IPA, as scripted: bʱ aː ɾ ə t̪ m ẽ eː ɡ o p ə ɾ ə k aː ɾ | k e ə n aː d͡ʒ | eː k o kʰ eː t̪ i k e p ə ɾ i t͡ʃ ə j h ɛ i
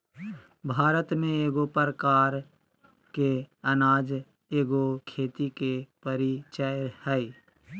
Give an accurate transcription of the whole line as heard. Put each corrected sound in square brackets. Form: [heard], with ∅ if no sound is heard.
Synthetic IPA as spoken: bʱ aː ɾ ə t̪ m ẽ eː ɡ o p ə ɾ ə k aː ɾ | k e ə n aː d͡ʒ | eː [ɡ] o kʰ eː t̪ i k e p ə ɾ i t͡ʃ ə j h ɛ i